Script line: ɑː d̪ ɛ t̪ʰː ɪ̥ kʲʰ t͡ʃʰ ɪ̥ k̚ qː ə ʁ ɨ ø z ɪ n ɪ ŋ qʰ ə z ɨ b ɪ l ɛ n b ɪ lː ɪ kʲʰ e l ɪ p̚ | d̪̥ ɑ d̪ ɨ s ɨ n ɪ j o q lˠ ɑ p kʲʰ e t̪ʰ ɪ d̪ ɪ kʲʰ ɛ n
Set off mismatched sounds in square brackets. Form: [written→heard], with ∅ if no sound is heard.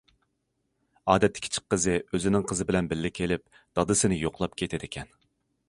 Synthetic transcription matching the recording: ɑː d̪ ɛ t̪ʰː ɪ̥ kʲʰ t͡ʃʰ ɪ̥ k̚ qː ə [ʁ→z] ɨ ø z ɪ n ɪ ŋ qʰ ə z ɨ b ɪ l ɛ n b ɪ lː ɪ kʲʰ e l ɪ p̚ | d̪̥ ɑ d̪ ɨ s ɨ n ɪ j o q lˠ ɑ p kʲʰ e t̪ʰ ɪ d̪ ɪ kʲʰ ɛ n

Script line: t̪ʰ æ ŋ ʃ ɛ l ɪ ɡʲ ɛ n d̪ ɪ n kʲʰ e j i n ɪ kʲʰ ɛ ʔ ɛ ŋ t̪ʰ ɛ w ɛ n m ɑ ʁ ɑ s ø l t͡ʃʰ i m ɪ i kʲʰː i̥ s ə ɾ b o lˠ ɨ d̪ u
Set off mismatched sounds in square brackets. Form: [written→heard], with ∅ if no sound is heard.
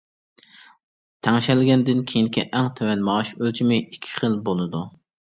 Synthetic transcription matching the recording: t̪ʰ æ ŋ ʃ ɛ l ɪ ɡʲ ɛ n d̪ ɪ n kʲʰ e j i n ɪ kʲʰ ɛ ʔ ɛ ŋ t̪ʰ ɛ w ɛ n m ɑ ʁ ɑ [s→ʃ] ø l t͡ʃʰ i m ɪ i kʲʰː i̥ [s→χ] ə [ɾ→l] b o lˠ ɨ d̪ u

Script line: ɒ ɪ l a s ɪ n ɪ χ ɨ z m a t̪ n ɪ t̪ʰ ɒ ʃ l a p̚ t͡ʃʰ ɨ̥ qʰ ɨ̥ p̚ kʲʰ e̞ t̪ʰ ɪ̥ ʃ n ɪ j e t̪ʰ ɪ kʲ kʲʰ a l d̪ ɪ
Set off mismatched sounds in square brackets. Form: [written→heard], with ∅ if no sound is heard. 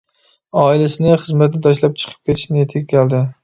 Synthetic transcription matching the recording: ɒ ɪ l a s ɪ n ɪ χ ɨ z m a t̪ n ɪ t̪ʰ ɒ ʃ l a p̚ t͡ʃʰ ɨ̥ qʰ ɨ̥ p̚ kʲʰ e̞ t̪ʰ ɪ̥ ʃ n ɪ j e t̪ʰ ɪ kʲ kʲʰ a l d̪ ɪ

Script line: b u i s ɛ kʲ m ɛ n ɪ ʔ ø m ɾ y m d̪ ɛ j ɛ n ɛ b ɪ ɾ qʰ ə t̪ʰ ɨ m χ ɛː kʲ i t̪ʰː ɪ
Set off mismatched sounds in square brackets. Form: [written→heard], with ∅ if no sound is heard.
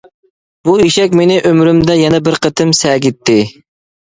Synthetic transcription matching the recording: b u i [s→ʃ] ɛ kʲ m [ɛ→e] n ɪ ʔ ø m ɾ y m d̪ ɛ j ɛ n ɛ b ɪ ɾ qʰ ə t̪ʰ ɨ m [χ→s] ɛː [kʲ→ɡʲ] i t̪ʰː ɪ

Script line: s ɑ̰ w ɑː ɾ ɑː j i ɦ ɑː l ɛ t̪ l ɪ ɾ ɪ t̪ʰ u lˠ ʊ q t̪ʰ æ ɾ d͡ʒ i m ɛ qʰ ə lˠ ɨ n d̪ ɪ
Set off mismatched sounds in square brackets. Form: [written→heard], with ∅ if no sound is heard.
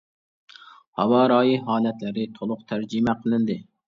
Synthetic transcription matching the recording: [s→h] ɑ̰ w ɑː ɾ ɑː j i ɦ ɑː l ɛ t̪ l ɪ ɾ ɪ t̪ʰ [u→o] lˠ ʊ q t̪ʰ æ ɾ d͡ʒ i m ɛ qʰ ə lˠ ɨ n d̪ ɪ

